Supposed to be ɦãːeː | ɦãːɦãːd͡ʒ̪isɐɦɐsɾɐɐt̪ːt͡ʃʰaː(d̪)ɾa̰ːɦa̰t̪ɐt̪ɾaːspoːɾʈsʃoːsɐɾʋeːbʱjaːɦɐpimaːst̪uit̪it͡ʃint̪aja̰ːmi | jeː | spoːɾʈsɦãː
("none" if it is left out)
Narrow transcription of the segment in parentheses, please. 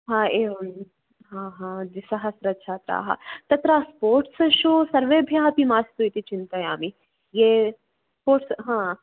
t̪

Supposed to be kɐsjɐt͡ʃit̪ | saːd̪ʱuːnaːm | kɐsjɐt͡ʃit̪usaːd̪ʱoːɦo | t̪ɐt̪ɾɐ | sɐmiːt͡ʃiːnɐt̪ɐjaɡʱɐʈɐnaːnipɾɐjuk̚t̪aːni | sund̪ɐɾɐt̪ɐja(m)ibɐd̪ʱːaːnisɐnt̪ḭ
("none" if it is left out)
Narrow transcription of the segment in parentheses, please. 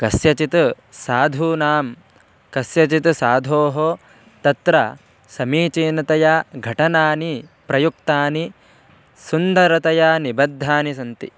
n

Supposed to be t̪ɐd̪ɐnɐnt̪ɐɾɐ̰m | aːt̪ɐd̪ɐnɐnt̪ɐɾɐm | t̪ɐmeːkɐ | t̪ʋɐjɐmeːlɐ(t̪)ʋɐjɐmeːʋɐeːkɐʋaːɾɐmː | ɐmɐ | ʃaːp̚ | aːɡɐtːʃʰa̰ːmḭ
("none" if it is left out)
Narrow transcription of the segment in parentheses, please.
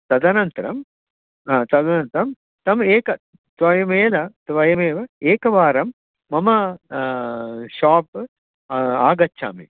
t̪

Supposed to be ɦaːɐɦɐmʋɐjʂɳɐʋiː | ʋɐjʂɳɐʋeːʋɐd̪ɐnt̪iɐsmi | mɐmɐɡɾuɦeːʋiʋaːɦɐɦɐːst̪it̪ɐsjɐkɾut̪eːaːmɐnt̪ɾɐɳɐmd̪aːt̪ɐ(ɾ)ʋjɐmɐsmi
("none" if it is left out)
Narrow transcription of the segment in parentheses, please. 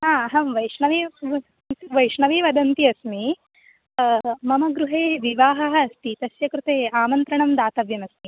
none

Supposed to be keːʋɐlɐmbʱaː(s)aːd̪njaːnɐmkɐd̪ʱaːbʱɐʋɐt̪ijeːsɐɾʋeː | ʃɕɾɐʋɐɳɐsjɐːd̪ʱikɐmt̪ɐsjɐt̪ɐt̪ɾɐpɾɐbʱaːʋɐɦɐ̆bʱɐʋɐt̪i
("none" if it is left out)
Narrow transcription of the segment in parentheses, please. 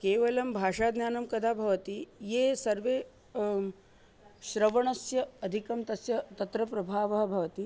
ʂ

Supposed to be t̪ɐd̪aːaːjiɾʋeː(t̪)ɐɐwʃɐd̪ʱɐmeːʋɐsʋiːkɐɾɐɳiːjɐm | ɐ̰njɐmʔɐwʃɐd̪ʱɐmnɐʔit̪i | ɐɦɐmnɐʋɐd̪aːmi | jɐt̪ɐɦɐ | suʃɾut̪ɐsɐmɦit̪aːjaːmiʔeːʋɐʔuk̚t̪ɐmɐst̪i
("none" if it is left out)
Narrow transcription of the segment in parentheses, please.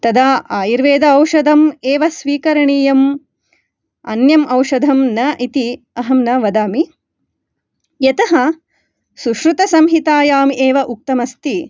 d̪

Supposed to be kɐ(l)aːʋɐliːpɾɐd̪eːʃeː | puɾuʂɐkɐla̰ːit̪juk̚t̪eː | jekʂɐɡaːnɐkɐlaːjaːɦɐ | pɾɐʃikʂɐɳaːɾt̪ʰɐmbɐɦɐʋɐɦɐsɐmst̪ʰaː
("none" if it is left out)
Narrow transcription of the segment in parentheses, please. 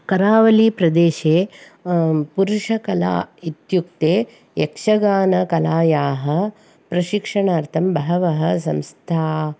ɾ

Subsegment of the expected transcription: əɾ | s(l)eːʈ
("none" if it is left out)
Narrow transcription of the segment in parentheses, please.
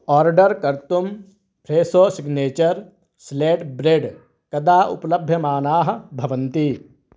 l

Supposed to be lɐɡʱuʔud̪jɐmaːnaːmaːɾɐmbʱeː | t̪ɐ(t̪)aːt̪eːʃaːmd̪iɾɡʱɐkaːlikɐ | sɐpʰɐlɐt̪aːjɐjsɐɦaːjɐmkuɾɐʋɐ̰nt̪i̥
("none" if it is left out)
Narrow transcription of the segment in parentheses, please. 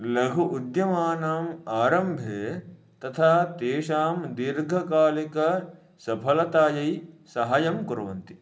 t̪ʰ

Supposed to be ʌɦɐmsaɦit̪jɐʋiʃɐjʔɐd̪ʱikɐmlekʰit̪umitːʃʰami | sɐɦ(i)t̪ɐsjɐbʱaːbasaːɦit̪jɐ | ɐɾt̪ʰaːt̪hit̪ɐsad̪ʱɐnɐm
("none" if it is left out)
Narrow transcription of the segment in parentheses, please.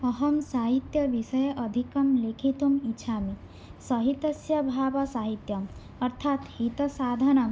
i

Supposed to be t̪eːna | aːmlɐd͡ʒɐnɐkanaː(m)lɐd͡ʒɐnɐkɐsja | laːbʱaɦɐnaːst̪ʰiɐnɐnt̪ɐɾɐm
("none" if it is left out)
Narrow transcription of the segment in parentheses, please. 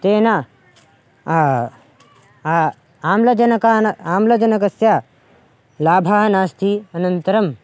m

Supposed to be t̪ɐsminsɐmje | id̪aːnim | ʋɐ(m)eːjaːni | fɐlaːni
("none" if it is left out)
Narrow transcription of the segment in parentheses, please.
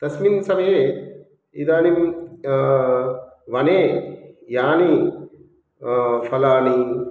n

